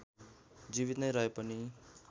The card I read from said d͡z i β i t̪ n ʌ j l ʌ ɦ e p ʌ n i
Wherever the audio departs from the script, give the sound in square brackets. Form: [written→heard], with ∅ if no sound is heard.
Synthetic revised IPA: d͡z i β i t̪ n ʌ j [l→ɾ] ʌ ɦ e p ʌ n i